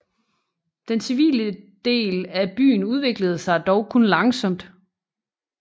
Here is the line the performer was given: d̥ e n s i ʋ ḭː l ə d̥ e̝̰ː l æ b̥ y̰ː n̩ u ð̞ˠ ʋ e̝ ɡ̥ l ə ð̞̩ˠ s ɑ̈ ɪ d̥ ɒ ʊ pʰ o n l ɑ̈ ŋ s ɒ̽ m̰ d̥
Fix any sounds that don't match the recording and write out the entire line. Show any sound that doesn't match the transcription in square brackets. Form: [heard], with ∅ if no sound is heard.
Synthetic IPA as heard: d̥ e n s i ʋ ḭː l ə d̥ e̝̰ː l æ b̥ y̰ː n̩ u ð̞ˠ ʋ e̝ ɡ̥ l ə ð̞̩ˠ s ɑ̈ ɪ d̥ ɒ ʊ [kʰ] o n l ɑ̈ ŋ s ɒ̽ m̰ d̥